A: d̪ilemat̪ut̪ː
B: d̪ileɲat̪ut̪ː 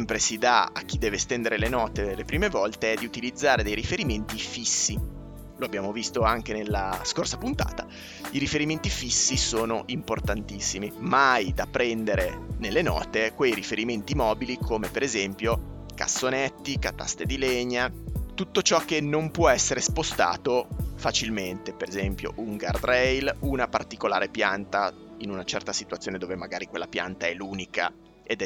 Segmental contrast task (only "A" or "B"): B